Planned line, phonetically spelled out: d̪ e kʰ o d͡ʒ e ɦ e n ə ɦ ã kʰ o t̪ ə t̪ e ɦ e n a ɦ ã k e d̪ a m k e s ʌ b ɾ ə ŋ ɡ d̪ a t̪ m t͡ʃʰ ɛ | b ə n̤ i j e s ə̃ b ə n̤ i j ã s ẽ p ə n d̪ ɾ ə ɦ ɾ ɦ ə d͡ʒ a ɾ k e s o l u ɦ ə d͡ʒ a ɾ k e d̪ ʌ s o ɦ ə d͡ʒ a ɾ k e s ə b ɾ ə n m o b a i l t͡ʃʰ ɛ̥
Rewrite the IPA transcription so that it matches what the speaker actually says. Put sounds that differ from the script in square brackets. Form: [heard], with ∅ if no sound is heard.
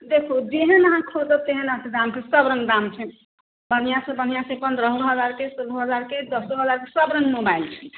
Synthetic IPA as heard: d̪ e kʰ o d͡ʒ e ɦ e n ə ɦ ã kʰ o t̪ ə t̪ e ɦ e n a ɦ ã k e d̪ a m k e s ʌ b ɾ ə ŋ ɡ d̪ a [∅] m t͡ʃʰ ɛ | b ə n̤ i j [a] s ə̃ b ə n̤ i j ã s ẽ p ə n d̪ ɾ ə ɦ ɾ ɦ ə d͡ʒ a ɾ k e s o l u ɦ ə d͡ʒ a ɾ k e d̪ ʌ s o ɦ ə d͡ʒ a ɾ k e s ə b ɾ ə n m o b a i l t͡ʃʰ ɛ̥

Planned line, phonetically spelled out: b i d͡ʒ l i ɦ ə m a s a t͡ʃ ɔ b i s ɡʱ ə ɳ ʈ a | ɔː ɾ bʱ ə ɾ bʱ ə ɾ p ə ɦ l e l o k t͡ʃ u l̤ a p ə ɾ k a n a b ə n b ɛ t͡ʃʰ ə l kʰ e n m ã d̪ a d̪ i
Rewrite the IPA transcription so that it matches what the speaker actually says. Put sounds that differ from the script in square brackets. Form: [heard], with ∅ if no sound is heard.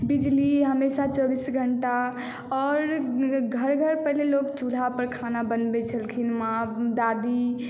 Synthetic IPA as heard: b i d͡ʒ l i ɦ ə m [e] s a t͡ʃ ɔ b i s ɡʱ ə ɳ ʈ a | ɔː ɾ [ɡʱ] ə ɾ [ɡʱ] ə ɾ p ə ɦ l e l o k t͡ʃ u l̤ a p ə ɾ [kʰ] a n a b ə n b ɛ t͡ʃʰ ə l kʰ [i] n m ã d̪ a d̪ i

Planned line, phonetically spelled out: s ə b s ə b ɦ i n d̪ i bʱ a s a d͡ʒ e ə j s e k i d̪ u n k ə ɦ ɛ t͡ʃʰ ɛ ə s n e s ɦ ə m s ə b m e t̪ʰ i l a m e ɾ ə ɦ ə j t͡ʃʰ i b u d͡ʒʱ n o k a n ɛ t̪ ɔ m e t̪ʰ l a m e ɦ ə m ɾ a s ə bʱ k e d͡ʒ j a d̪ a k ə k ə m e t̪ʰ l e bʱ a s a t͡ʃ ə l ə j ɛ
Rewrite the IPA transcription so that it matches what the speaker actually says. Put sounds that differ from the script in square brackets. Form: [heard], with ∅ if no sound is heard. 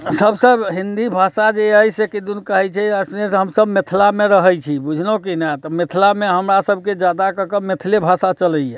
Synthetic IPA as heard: s ə b s ə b ɦ i n d̪ i bʱ a s a d͡ʒ e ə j s e k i d̪ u n k ə ɦ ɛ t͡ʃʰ ɛ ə s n e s ɦ ə m s ə b m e t̪ʰ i l a m e ɾ ə ɦ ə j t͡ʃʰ i b u d͡ʒʱ n o k [i] n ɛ t̪ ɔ m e t̪ʰ l a m e ɦ ə m ɾ a s ə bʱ k e d͡ʒ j a d̪ a k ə k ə m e t̪ʰ l e bʱ a s a t͡ʃ ə l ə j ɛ

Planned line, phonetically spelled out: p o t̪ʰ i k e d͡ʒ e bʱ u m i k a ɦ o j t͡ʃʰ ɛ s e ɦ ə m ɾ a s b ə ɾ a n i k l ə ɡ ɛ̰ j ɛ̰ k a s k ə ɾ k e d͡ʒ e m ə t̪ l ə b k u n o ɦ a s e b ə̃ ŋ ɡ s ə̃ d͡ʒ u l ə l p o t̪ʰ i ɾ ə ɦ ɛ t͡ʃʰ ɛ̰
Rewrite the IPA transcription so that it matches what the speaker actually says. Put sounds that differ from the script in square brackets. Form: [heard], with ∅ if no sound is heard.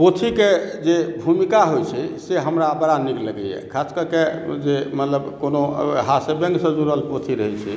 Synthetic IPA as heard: p o t̪ʰ i k e d͡ʒ e bʱ u m i k a ɦ o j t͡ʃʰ ɛ s e ɦ ə m ɾ a [∅] b ə ɾ a n i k l ə ɡ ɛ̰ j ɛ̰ [kʰ] a s k ə ɾ k e d͡ʒ e m ə t̪ l ə b k [o] n o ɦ a s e b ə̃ ŋ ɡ s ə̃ d͡ʒ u [ɾ] ə l p o t̪ʰ i ɾ ə ɦ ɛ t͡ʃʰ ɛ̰

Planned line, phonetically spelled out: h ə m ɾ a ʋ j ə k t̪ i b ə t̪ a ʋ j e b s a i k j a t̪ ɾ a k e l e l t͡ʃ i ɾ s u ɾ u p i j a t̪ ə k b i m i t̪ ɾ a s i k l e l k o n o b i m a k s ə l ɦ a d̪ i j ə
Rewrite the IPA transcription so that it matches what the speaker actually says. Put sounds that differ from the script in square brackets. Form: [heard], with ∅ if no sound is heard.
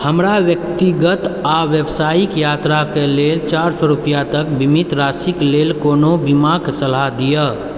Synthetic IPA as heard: h ə m ɾ a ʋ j ə k t̪ i [ɡ] ə t̪ a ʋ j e b s a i k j a t̪ ɾ a k e l e l t͡ʃ [a] ɾ s [ɔ] ɾ u p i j a t̪ ə k b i m i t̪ ɾ a s i k l e l k o n o b i m a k s ə l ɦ a d̪ i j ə

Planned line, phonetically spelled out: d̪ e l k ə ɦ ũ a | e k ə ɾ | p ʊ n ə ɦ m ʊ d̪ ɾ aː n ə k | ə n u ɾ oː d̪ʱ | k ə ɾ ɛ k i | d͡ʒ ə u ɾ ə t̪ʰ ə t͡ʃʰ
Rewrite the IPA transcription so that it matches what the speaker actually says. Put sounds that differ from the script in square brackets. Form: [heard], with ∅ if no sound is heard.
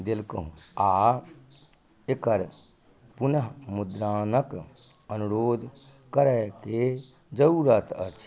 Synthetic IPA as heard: d̪ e l k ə ɦ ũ a | e k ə ɾ | p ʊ n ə ɦ m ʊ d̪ ɾ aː n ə k | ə n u ɾ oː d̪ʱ | k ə ɾ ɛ k [e] | d͡ʒ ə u ɾ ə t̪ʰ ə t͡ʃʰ

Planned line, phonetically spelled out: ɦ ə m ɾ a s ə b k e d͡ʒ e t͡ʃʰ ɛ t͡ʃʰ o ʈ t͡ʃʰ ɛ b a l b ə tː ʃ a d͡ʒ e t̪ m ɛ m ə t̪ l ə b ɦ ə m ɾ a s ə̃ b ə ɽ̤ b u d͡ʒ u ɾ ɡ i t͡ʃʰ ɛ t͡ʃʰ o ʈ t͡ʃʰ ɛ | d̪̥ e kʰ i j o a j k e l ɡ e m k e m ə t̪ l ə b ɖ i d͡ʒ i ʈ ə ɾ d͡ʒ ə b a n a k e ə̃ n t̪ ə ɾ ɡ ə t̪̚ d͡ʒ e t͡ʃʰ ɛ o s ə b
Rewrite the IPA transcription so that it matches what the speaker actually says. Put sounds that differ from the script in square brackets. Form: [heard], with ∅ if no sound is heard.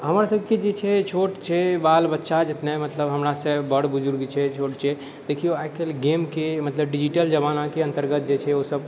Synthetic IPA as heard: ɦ ə m ɾ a s ə b k e d͡ʒ e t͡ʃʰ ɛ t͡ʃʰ o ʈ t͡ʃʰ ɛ b a l b ə tː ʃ a d͡ʒ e t̪ [n] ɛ m ə t̪ l ə b ɦ ə m ɾ a s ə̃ b ə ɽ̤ b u d͡ʒ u ɾ ɡ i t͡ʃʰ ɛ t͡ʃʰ o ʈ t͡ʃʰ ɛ | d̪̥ e kʰ i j o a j k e l ɡ e m k e m ə t̪ l ə b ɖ i d͡ʒ i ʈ ə [l] d͡ʒ ə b a n a k e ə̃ n t̪ ə ɾ ɡ ə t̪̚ d͡ʒ e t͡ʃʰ ɛ o s ə b

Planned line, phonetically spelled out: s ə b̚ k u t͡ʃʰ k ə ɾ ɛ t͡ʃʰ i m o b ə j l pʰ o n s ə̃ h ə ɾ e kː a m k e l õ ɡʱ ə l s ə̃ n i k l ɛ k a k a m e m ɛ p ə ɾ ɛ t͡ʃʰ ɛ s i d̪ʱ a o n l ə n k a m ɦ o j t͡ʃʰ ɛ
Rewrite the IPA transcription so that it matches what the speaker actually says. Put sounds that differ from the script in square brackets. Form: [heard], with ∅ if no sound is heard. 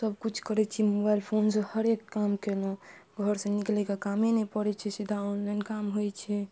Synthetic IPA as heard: s ə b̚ k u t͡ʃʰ k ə ɾ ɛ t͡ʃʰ i m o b [a] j l pʰ o n s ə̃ h ə ɾ e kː a m k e l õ ɡʱ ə [ɾ] s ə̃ n i k l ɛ k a k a m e [n] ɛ p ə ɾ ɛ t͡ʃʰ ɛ s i d̪ʱ a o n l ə n k a m ɦ o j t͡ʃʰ ɛ

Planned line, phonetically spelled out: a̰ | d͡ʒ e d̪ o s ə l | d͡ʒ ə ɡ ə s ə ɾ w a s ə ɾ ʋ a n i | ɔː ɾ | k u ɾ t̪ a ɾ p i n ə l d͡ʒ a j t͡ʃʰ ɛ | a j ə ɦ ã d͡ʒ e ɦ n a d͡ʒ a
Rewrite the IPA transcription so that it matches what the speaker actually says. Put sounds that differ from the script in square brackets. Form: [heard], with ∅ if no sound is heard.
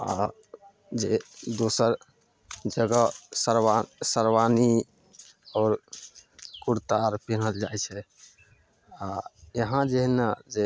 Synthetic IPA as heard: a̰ | d͡ʒ e d̪ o s ə [ɾ] | d͡ʒ ə ɡ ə s ə ɾ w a s ə ɾ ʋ a n i | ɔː ɾ | k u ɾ t̪ a ɾ p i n ə l d͡ʒ a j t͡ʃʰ ɛ | a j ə ɦ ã d͡ʒ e ɦ n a d͡ʒ [e]

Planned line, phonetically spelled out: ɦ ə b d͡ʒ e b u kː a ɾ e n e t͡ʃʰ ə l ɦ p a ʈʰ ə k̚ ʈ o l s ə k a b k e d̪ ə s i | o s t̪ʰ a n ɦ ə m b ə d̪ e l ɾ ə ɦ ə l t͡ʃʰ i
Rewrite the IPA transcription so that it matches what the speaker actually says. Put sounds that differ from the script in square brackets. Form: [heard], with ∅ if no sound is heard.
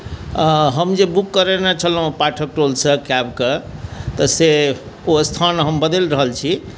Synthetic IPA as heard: ɦ ə [m] d͡ʒ e b u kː [ə] ɾ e n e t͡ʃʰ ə l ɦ p a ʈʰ ə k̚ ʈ o l s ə k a b k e [t̪] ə s [e] | o s t̪ʰ a n ɦ ə m b ə d̪ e l ɾ ə ɦ ə l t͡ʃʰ i

